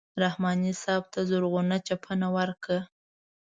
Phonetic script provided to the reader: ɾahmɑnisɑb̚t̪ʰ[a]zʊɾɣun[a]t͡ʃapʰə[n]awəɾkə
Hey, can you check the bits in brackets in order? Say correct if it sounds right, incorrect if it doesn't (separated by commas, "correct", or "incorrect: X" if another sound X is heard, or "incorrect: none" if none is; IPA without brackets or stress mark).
correct, correct, correct